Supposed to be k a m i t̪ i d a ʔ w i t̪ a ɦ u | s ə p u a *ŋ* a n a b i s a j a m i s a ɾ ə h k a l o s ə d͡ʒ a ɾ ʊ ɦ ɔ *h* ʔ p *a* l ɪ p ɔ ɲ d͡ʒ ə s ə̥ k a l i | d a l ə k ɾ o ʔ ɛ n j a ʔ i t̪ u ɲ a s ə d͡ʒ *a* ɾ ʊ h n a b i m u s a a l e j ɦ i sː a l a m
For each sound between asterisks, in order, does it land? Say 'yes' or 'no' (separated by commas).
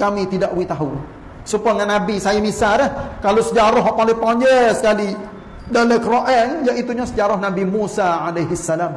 yes, no, yes, yes